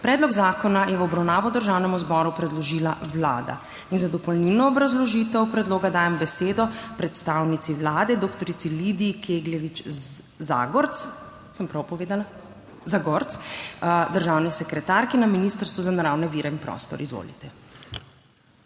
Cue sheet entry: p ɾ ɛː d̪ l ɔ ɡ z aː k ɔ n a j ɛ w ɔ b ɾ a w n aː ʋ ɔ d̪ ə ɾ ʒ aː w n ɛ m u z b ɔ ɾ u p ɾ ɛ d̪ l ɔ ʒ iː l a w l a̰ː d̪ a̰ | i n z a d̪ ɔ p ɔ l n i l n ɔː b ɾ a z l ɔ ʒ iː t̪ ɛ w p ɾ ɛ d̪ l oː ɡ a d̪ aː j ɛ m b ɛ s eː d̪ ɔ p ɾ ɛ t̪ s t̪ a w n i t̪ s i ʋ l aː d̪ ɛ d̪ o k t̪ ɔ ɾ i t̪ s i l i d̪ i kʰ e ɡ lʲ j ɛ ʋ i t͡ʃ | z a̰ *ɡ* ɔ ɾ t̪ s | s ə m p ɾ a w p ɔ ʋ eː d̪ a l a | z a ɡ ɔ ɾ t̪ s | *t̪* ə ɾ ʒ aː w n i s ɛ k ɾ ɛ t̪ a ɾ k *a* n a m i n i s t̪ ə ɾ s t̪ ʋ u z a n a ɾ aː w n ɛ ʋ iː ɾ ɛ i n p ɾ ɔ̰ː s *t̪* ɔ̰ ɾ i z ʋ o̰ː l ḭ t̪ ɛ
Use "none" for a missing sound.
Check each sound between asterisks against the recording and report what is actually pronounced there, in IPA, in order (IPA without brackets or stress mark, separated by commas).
ɡ, d̪, i, t̪